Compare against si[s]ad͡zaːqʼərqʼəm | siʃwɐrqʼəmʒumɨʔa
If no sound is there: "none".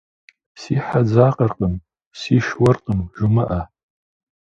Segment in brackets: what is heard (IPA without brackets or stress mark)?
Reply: ħ